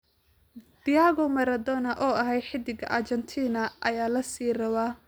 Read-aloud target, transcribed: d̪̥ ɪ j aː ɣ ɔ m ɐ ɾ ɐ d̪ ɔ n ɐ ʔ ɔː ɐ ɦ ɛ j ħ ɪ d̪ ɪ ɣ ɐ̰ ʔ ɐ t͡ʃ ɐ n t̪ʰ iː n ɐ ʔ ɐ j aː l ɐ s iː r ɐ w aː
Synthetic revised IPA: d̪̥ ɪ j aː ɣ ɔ m ɐ ɾ ɐ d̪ ɔ n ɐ ʔ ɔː ɐ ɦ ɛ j ħ ɪ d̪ ɪ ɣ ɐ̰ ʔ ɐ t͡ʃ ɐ n t̪ʰ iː n ɐ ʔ ɐ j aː l ɐ s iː r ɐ w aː